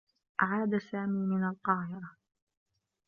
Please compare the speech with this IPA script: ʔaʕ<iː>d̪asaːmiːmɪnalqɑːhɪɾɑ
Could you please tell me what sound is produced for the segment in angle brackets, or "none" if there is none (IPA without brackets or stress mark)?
aː